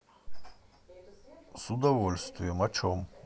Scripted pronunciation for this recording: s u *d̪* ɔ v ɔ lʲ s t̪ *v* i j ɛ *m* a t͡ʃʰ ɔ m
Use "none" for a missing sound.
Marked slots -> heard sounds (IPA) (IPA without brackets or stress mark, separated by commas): d̪, v, m